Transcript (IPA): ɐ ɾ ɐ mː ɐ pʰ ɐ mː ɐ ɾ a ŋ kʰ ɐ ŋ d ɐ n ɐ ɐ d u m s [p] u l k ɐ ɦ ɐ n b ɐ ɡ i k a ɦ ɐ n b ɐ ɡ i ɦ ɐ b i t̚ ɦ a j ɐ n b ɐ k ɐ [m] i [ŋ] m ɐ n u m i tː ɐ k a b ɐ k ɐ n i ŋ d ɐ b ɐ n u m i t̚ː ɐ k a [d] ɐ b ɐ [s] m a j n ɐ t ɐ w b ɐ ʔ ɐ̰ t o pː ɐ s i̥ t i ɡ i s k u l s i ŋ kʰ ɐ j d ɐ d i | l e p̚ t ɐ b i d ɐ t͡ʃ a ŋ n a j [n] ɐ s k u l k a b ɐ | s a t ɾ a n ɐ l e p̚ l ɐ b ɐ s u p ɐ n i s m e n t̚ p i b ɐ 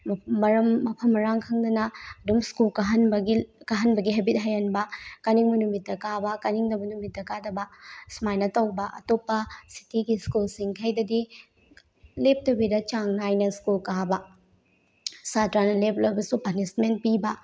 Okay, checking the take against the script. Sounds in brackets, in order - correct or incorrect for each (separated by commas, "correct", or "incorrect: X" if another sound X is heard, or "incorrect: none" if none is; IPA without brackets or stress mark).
incorrect: k, incorrect: n, correct, correct, correct, correct